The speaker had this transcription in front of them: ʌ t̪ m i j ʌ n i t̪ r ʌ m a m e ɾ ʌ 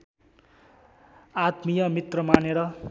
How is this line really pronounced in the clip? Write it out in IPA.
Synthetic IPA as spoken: a t̪ m i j ʌ m i t̪ r ʌ m a n e ɾ ʌ